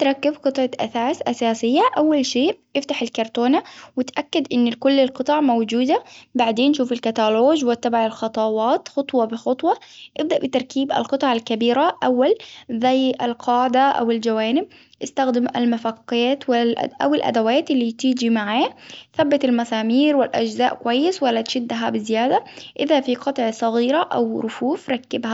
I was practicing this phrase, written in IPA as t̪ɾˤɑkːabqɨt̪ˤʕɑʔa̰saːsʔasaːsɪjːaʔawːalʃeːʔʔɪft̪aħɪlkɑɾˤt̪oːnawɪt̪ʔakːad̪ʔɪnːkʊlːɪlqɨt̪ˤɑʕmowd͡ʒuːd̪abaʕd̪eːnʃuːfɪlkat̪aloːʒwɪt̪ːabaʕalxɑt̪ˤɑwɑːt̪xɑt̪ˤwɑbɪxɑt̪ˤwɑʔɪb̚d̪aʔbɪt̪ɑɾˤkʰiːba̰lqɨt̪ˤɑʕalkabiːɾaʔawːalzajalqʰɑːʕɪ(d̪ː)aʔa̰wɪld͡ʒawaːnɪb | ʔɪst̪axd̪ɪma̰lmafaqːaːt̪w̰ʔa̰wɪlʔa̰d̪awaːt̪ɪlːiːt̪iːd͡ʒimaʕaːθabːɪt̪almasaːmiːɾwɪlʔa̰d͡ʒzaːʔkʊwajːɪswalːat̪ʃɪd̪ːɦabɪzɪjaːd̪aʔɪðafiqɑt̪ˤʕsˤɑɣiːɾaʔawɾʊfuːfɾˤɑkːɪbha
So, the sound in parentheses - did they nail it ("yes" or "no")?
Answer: no